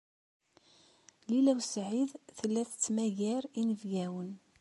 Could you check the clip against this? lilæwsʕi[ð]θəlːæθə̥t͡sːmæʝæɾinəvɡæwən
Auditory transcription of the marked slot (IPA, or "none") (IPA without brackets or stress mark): ð